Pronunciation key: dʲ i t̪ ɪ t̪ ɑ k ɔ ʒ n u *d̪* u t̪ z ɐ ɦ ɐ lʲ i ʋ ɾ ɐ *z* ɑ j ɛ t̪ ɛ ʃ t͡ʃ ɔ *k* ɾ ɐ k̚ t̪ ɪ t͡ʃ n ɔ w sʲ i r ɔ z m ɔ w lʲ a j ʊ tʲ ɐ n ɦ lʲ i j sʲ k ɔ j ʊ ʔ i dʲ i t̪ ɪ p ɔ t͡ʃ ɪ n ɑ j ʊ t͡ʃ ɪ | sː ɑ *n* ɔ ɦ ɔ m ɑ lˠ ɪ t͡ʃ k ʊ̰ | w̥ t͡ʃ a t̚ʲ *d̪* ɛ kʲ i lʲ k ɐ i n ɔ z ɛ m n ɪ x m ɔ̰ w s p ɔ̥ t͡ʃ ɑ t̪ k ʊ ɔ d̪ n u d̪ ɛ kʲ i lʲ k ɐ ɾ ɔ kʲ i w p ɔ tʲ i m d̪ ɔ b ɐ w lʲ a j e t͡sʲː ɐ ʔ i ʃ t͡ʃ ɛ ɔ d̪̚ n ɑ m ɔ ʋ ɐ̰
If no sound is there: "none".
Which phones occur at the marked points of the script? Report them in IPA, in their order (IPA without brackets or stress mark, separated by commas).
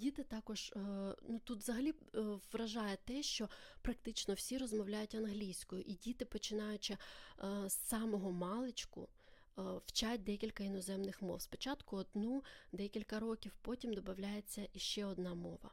t̪, ʒ, p, m, d̪